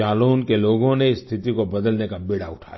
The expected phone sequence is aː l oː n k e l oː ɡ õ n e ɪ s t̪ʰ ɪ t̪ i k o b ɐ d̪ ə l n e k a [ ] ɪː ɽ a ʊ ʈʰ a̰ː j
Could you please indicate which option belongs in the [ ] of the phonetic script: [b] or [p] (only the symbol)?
b